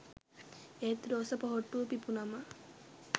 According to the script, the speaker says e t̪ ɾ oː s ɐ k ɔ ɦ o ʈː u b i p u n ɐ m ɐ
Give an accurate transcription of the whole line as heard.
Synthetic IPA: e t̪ ɾ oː s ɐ p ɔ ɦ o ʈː u p i p u n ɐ m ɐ